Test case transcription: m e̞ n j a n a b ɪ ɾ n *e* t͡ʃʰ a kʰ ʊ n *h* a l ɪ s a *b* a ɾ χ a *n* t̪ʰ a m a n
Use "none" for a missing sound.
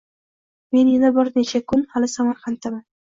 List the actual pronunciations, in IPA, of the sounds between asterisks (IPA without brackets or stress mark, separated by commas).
e, h, m, n